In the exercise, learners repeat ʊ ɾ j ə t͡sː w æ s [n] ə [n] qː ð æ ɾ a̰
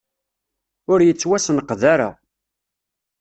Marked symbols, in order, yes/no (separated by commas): yes, no